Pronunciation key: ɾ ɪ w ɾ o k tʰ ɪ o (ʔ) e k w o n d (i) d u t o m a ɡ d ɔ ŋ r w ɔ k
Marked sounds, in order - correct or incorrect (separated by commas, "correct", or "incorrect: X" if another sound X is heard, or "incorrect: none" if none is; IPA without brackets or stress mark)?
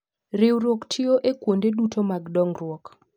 correct, incorrect: e